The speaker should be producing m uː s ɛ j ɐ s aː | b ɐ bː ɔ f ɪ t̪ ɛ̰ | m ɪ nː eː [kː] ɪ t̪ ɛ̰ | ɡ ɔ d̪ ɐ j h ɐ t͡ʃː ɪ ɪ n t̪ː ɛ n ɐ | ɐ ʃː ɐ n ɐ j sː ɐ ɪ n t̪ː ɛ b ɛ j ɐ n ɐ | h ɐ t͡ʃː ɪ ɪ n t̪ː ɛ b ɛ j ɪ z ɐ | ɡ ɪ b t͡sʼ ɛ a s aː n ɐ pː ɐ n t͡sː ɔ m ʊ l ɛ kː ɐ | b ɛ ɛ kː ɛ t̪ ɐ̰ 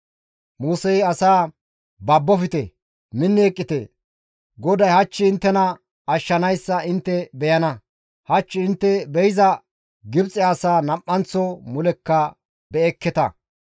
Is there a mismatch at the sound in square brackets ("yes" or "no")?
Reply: yes